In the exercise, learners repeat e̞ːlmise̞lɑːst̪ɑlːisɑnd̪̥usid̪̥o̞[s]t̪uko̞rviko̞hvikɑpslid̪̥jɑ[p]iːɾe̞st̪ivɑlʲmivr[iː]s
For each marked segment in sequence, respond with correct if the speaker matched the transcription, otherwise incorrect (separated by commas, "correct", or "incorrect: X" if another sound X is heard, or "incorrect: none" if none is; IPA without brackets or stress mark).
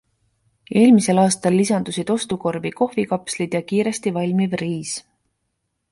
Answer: correct, incorrect: k, correct